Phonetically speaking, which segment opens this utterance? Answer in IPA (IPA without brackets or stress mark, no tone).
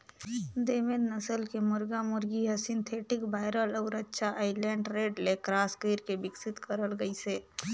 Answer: d̪